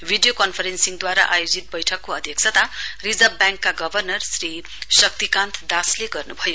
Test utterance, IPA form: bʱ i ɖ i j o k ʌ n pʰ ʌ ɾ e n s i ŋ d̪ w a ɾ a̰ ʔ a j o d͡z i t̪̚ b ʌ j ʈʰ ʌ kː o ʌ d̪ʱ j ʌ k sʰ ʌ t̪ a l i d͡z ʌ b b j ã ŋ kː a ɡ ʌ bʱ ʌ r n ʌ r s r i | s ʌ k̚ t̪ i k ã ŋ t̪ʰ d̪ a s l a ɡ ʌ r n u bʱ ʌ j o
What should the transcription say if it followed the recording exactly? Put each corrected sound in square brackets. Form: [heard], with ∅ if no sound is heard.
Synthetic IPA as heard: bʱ i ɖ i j o k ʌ n pʰ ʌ ɾ e n s i ŋ d̪ w a ɾ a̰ ʔ a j o d͡z i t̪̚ b ʌ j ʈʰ ʌ kː o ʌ d̪ʱ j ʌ k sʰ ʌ t̪ a [r] i d͡z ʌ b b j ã ŋ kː a ɡ ʌ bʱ ʌ r n ʌ r s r i | s ʌ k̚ t̪ i k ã [n] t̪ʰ d̪ a s l [e] ɡ ʌ r n u bʱ ʌ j o